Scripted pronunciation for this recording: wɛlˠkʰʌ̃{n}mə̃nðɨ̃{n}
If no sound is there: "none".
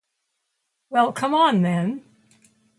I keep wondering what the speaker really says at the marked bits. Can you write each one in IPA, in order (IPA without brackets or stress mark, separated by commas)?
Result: none, n